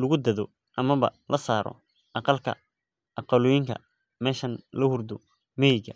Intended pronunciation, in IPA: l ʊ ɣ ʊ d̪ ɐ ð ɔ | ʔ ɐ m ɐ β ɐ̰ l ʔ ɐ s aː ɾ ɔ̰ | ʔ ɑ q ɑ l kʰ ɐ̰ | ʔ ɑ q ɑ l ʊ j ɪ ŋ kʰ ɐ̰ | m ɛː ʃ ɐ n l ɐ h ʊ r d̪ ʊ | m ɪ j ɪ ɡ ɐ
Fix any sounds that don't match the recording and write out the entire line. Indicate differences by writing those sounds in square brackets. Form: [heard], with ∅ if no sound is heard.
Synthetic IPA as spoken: l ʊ ɣ ʊ d̪ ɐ ð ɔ | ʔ ɐ m ɐ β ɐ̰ l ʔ ɐ s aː ɾ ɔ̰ | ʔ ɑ q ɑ l kʰ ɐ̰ | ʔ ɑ q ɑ l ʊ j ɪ ŋ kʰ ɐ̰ | m ɛː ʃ ɐ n l ɐ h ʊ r d̪ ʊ | m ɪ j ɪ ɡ ɐ